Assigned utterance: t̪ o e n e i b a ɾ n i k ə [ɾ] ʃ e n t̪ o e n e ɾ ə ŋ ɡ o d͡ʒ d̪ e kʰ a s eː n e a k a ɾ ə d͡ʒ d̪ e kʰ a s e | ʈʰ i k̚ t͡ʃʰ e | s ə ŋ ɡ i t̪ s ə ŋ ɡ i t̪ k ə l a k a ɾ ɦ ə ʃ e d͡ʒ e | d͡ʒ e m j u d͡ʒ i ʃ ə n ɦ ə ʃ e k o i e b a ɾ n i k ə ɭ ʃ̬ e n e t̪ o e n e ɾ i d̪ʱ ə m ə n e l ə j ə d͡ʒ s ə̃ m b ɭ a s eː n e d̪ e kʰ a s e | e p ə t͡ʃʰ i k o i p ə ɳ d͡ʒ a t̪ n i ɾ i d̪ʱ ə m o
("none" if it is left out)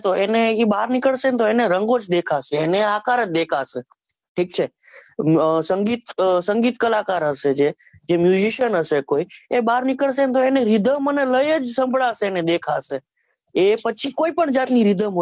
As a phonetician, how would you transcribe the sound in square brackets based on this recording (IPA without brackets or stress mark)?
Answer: ɭ